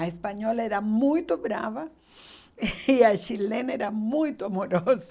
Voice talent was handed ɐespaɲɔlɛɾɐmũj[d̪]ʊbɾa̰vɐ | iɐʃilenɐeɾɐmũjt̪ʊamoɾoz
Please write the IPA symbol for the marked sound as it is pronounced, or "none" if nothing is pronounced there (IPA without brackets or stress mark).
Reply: t̪